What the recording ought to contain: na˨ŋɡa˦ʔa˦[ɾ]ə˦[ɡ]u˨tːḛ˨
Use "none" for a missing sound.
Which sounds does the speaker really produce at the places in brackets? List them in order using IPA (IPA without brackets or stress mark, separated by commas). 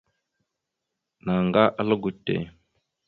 l, ɡ